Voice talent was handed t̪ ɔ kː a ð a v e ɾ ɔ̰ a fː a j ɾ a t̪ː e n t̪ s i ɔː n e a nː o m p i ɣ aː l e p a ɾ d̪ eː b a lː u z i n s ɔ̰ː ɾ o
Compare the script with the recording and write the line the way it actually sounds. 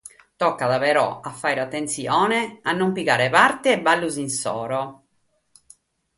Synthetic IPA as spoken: t̪ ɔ kː a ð a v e ɾ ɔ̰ a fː a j ɾ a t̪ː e n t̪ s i ɔː n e a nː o m p i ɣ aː ɾ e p a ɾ t̪ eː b a lː u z i n s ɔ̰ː ɾ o